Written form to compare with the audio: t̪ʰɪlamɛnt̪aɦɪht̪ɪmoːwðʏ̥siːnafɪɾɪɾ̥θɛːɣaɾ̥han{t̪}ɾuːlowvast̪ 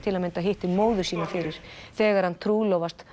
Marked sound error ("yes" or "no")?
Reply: yes